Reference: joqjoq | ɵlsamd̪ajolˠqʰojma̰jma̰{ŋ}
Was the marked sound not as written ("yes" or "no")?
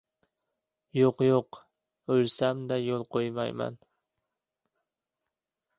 yes